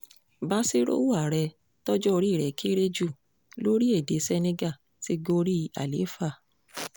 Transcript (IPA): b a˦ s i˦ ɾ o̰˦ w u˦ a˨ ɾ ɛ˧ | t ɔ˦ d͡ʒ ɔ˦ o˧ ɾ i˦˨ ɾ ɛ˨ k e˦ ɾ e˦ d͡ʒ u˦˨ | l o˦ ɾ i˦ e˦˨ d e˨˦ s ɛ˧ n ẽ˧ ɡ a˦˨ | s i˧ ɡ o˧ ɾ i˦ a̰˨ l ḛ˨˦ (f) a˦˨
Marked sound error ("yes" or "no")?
no